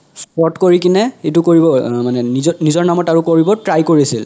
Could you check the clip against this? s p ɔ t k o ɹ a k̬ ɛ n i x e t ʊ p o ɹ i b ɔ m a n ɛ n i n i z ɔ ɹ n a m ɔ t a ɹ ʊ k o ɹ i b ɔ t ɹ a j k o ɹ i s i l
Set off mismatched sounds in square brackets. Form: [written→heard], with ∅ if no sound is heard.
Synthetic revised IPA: s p ɔ t k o ɹ [a→i] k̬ [ɛ→i] n [i→ɛ] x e t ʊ [p→k] o ɹ i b ɔ m a n ɛ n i n i z ɔ ɹ n a m ɔ t a ɹ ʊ k o ɹ i b ɔ t ɹ a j k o ɹ i s i l